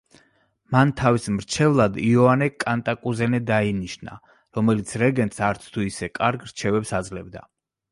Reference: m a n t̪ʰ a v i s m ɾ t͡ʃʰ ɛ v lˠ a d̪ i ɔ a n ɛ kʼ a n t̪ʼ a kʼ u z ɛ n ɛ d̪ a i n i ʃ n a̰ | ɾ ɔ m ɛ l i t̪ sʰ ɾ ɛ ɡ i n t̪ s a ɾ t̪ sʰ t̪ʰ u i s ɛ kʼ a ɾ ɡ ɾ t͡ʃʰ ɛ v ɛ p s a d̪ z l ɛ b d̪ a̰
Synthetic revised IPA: m a n t̪ʰ a v i s m ɾ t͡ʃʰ ɛ v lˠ a d̪ i ɔ a n ɛ kʼ a n t̪ʼ a kʼ u z ɛ n ɛ d̪ a i n i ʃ n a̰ | ɾ ɔ m ɛ l i t̪ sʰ ɾ ɛ ɡ ɛ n t̪ s a ɾ t̪ sʰ t̪ʰ u i s ɛ kʼ a ɾ ɡ ɾ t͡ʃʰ ɛ v ɛ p s a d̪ z l ɛ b d̪ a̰